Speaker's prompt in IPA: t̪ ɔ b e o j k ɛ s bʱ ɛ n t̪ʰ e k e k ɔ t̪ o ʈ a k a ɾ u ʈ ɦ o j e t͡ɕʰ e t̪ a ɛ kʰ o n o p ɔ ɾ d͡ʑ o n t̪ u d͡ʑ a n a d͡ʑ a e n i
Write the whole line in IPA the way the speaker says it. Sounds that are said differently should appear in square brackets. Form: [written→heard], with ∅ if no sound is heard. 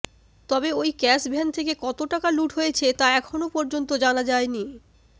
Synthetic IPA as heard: t̪ ɔ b e o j k ɛ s bʱ ɛ n t̪ʰ e k e k ɔ t̪ o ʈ a k a [ɾ→l] u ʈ ɦ o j e t͡ɕʰ e t̪ a ɛ kʰ o n o p ɔ ɾ d͡ʑ o n t̪ [u→o] d͡ʑ a n a d͡ʑ a e n i